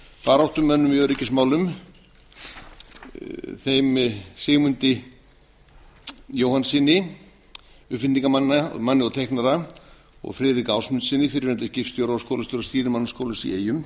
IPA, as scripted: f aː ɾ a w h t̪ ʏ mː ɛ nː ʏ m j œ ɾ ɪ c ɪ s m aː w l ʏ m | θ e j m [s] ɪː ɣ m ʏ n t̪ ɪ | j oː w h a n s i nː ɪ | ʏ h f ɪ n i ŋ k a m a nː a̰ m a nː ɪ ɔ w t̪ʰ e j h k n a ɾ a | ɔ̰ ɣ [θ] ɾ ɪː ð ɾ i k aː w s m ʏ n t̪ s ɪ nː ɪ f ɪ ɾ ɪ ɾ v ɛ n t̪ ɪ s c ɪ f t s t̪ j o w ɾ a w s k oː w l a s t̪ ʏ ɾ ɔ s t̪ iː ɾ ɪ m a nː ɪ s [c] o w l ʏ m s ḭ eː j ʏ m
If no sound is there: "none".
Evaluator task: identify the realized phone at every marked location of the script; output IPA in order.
s, f, k

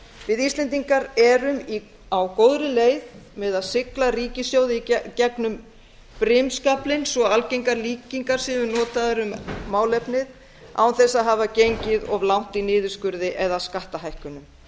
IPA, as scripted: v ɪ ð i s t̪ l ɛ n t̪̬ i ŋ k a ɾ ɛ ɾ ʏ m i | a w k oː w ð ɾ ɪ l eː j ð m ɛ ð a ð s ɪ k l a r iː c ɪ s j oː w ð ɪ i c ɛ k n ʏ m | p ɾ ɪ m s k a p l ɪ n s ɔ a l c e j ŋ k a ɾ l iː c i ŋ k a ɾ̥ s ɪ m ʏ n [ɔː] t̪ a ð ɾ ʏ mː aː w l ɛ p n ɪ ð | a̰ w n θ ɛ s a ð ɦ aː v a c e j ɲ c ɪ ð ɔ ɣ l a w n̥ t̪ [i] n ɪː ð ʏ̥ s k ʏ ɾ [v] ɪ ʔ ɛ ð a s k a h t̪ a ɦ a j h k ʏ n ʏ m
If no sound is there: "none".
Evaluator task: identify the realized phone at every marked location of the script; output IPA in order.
ɔː, i, ð

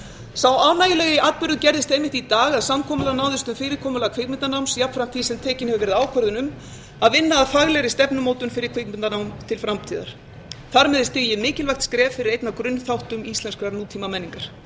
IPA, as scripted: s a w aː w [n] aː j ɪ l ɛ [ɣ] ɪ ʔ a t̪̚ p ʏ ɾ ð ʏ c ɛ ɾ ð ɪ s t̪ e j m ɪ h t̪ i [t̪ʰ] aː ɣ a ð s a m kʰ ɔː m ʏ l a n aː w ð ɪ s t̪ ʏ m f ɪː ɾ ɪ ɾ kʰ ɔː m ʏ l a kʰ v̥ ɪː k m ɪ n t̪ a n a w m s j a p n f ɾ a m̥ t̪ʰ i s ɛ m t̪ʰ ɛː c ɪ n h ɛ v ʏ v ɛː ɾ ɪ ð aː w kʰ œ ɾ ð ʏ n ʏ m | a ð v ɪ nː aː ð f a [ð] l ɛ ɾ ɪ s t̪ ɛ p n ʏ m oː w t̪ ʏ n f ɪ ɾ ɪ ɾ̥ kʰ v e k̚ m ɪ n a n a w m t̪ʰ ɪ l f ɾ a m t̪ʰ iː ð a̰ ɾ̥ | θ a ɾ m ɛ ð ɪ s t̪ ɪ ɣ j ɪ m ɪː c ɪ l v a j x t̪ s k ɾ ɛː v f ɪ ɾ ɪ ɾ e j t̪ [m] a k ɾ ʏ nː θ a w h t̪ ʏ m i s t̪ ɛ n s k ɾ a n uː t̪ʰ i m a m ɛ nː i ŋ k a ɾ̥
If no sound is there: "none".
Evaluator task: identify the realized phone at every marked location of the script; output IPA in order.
n, ɣ, t̪, ɣ, n

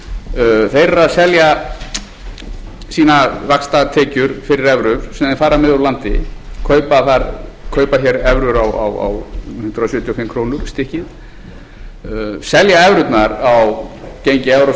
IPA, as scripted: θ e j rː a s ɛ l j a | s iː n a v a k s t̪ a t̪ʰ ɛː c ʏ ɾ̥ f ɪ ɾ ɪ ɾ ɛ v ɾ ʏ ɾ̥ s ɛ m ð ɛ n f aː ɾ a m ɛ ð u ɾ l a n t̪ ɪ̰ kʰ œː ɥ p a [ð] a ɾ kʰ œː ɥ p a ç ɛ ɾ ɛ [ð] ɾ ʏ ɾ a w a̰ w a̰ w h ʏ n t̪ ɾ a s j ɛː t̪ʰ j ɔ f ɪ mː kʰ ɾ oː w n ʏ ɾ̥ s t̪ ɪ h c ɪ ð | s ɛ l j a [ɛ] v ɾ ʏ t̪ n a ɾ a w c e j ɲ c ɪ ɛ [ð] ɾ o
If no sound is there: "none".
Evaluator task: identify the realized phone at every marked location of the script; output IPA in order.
θ, v, ɛ, v

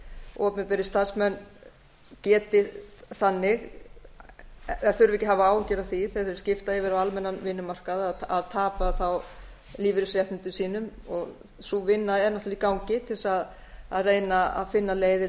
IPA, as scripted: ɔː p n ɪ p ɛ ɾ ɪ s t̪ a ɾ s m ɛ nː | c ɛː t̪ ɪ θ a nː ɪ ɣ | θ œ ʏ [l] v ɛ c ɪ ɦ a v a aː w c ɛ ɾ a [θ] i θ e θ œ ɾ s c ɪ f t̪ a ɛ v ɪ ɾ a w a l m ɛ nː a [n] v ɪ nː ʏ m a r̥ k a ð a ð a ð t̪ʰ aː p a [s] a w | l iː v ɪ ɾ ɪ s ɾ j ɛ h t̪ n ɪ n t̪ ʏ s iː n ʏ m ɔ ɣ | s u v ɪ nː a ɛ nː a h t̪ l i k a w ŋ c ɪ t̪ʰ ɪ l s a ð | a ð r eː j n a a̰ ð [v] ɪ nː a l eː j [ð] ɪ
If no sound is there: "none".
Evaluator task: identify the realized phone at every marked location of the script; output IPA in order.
ɾ, θ, n, θ, f, ð

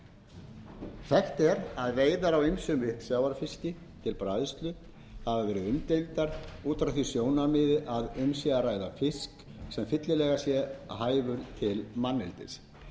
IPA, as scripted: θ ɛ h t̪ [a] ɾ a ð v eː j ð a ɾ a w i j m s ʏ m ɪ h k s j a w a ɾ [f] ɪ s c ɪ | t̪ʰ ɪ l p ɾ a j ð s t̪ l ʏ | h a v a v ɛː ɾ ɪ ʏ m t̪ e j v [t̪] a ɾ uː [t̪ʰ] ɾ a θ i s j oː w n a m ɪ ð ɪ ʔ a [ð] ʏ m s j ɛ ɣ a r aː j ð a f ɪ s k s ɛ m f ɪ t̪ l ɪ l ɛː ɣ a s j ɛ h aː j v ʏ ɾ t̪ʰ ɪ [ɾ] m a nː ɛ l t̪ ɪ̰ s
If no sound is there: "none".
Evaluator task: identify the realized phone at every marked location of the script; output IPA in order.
ɛ, f, t̪, t̪, ð, l

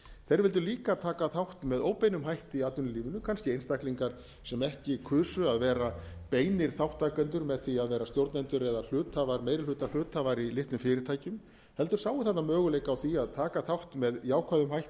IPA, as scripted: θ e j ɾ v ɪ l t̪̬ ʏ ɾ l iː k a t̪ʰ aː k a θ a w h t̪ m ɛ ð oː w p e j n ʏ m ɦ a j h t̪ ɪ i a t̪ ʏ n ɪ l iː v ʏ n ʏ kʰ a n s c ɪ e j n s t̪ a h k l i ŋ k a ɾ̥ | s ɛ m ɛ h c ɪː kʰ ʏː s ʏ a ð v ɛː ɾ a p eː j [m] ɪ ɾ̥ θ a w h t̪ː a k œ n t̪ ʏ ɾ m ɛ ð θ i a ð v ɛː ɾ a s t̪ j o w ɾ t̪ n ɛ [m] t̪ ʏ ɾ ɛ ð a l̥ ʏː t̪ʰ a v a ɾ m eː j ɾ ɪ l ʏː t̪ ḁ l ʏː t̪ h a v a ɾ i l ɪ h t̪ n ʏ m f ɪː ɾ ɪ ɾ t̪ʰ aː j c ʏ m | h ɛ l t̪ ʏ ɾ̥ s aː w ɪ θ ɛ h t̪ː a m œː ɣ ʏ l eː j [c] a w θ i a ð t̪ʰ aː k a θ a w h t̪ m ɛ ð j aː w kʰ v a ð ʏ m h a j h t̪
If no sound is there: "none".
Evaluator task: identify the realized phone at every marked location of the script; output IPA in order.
n, n, k

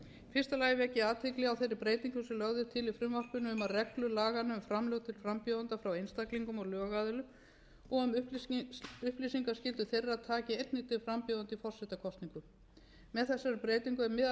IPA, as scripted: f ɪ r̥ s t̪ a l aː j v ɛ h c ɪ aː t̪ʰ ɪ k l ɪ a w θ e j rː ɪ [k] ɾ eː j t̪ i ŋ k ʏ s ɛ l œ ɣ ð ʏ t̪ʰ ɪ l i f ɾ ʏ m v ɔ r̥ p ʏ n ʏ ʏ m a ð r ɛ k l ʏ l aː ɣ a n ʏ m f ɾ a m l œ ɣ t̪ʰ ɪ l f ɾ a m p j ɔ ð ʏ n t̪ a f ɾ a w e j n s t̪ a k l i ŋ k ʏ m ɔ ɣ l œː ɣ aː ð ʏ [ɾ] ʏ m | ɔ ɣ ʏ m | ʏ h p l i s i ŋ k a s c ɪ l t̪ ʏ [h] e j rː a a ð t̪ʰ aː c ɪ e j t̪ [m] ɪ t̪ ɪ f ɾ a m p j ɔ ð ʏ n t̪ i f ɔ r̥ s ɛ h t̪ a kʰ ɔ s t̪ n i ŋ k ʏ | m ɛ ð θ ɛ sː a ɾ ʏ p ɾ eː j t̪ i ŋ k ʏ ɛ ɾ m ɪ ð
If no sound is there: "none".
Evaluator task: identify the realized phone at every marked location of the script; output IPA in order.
p, l, θ, n

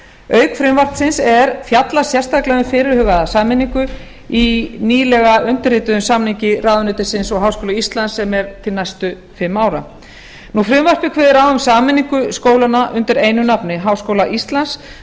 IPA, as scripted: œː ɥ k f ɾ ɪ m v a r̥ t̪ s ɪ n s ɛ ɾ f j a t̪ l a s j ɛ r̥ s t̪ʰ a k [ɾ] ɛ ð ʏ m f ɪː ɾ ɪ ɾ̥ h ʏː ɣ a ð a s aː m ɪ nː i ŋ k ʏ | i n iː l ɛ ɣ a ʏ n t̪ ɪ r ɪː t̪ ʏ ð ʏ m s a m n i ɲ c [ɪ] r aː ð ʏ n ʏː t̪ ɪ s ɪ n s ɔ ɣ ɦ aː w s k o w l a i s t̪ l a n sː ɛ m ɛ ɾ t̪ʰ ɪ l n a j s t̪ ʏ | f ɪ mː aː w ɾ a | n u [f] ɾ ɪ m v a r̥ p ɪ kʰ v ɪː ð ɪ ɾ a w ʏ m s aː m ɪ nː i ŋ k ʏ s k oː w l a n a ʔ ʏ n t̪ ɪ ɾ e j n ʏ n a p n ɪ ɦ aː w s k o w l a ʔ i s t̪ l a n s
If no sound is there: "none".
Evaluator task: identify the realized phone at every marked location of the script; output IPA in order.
l, ɪ, f

